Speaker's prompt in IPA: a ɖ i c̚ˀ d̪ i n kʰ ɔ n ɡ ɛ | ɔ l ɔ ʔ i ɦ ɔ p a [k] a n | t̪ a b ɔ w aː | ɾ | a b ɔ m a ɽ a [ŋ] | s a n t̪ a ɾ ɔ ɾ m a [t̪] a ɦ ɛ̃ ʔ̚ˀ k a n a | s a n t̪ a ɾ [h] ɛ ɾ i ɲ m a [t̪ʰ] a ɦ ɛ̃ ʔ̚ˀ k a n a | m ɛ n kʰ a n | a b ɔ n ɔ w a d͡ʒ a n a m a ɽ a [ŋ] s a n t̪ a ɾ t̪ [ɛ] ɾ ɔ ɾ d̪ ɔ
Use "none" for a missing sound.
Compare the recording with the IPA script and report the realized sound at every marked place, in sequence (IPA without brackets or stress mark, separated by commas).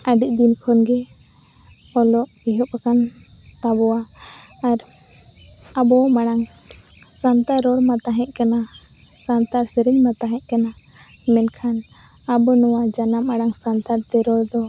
k, ŋ, t̪, s, t̪, ŋ, ɛ